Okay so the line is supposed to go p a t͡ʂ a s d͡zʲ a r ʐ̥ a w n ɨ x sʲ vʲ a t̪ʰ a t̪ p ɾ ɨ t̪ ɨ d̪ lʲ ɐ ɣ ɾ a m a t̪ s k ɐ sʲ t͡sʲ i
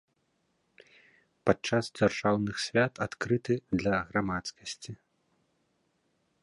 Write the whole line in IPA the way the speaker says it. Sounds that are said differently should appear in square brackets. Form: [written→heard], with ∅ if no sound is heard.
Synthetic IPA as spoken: p a t͡ʂ a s d͡zʲ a r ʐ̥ a w n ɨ x sʲ vʲ a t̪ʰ a t̪ [p→k] ɾ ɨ t̪ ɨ d̪ lʲ ɐ ɣ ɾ a m a t̪ s k ɐ sʲ t͡sʲ i

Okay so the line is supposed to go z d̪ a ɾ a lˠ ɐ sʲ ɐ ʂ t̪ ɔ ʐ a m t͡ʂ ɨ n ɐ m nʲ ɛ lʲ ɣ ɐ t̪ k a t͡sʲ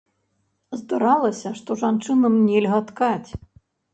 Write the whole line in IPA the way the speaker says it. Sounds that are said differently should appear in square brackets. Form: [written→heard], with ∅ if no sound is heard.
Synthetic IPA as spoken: z d̪ a ɾ a lˠ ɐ sʲ ɐ ʂ t̪ ɔ ʐ a [m→n] t͡ʂ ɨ n ɐ m nʲ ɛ lʲ ɣ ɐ t̪ k a t͡sʲ

